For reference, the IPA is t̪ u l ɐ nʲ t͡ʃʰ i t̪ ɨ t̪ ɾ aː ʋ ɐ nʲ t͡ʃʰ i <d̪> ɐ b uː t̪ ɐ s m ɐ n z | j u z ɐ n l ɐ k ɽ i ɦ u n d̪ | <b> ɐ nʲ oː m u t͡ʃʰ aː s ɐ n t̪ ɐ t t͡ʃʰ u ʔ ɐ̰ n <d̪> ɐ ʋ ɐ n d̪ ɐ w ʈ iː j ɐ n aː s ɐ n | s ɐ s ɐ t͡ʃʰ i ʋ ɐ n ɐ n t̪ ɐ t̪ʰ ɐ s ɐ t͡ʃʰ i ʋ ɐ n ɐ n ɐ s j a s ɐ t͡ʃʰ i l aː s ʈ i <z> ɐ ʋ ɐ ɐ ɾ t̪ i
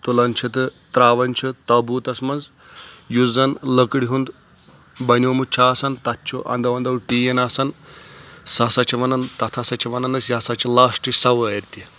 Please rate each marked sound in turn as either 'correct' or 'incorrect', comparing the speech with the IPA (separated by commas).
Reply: incorrect, correct, correct, incorrect